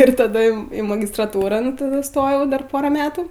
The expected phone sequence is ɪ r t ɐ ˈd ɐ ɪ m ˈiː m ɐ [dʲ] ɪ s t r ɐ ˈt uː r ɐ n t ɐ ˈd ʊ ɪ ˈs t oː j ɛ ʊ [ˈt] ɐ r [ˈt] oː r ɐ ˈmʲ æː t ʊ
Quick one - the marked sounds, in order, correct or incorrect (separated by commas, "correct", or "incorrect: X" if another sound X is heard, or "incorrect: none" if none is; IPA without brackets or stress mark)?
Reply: incorrect: ɡʲ, incorrect: d, incorrect: p